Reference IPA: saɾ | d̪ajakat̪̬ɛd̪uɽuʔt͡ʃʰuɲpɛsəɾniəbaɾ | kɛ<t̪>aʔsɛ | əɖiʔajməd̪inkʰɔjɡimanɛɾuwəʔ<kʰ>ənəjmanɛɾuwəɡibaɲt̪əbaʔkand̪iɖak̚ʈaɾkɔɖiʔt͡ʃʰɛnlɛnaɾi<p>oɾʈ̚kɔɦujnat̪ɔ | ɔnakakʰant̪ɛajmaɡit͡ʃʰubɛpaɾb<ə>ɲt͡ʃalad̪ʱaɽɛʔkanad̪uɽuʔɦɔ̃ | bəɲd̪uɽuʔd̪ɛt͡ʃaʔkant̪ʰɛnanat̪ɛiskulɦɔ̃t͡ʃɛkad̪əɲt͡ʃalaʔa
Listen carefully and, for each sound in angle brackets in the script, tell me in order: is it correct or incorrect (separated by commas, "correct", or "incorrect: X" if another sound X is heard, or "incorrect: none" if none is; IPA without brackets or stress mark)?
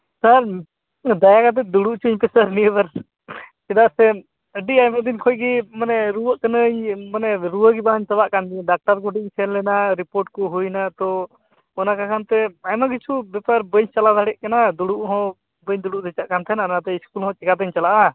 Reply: incorrect: d̪, incorrect: k, correct, correct